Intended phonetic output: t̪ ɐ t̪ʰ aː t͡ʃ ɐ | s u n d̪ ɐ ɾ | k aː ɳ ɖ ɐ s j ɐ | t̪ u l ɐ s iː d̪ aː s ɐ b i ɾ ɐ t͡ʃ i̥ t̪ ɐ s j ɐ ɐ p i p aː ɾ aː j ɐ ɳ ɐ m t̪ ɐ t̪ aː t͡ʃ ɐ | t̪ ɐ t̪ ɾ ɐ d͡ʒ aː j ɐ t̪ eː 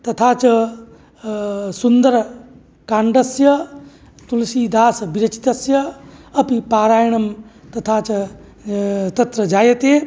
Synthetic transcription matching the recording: t̪ ɐ t̪ʰ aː t͡ʃ ɐ | s u n d̪ ɐ ɾ | k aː ɳ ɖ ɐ s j ɐ | t̪ u l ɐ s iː d̪ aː s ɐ b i ɾ ɐ t͡ʃ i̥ t̪ ɐ s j ɐ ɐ p i p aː ɾ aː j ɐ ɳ ɐ m t̪ ɐ t̪ʰ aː t͡ʃ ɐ | t̪ ɐ t̪ ɾ ɐ d͡ʒ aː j ɐ t̪ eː

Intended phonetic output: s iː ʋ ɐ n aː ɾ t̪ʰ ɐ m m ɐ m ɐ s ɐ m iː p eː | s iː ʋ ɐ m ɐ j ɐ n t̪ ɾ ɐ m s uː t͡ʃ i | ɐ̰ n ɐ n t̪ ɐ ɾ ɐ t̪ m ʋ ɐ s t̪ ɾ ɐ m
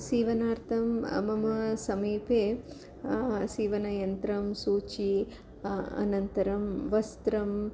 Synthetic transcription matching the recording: s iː ʋ ɐ n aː ɾ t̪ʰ ɐ m m ɐ m ɐ s ɐ m iː p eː | s iː ʋ ɐ n ɐ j ɐ n t̪ ɾ ɐ m s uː t͡ʃ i | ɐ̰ n ɐ n t̪ ɐ ɾ ɐ m ʋ ɐ s t̪ ɾ ɐ m

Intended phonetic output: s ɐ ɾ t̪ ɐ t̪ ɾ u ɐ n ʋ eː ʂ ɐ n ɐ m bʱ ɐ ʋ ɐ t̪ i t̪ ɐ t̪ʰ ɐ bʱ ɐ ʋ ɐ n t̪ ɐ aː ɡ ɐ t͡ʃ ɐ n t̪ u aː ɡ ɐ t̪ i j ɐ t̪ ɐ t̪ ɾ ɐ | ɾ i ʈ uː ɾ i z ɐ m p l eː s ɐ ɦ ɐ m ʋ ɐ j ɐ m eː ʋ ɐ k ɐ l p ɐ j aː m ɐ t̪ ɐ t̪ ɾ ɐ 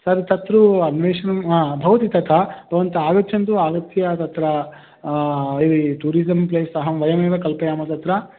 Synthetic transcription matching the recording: s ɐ ɾ t̪ ɐ t̪ ɾ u ɐ n ʋ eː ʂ ɐ n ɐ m bʱ ɐ ʋ ɐ t̪ i t̪ ɐ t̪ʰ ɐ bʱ ɐ ʋ ɐ n t̪ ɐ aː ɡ ɐ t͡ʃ ɐ n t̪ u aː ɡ ɐ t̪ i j ɐ t̪ ɐ t̪ ɾ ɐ | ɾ i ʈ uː ɾ i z ɐ m p l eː s ɐ ɦ ɐ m ʋ ɐ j ɐ m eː ʋ ɐ k ɐ l p ɐ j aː m ɐ t̪ ɐ t̪ ɾ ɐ

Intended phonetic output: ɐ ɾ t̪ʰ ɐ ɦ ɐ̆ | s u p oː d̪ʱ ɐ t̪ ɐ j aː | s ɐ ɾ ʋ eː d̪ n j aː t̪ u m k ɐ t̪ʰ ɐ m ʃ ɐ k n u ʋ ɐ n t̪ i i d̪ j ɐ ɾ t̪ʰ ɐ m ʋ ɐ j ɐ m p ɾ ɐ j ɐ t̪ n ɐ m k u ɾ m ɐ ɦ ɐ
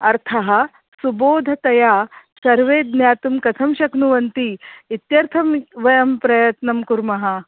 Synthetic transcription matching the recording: ɐ ɾ t̪ʰ ɐ ɦ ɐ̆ | s u b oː d̪ʱ ɐ t̪ ɐ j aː | s ɐ ɾ ʋ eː d̪ n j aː t̪ u m k ɐ t̪ʰ ɐ m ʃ ɐ k n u ʋ ɐ n t̪ i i t̪ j ɐ ɾ t̪ʰ ɐ m ʋ ɐ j ɐ m p ɾ ɐ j ɐ t̪ n ɐ m k u ɾ m ɐ ɦ ɐ

